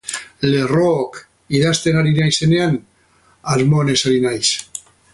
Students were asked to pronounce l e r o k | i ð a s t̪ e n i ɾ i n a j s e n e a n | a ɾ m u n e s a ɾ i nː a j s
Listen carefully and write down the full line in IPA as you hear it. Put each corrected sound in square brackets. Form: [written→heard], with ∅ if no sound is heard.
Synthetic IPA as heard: l e r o k | i ð a s t̪ e n [i→a] ɾ i n a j s e n e a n | a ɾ m [u→o] n e s a ɾ i [nː→n] a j s